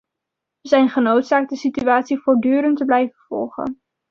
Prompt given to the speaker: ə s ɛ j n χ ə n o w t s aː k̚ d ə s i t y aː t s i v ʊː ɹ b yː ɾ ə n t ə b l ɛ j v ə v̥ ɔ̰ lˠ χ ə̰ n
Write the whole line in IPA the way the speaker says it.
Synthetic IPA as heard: ə z ɛ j n χ ə n o w t s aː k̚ d ə s i t y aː t s i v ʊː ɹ d yː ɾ ə n t ə b l ɛ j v ə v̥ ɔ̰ lˠ χ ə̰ n